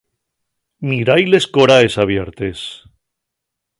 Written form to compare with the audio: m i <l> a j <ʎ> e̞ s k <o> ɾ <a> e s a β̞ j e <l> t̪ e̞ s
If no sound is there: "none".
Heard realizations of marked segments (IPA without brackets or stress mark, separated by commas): ɾ, l, o, a, ɾ